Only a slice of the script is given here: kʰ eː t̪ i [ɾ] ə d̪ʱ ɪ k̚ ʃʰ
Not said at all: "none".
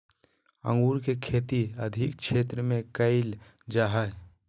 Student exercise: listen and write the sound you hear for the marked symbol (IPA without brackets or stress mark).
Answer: none